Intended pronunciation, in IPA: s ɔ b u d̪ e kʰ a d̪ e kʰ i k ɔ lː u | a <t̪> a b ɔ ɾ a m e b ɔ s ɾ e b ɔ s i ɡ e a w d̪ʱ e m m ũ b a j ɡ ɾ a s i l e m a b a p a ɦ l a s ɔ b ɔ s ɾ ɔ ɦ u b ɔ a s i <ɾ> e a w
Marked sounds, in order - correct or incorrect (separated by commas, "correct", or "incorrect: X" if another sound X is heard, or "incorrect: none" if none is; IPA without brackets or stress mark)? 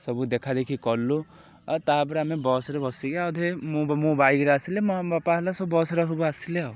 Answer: correct, incorrect: l